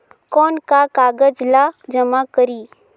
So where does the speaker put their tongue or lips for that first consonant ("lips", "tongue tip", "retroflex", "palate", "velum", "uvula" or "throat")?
velum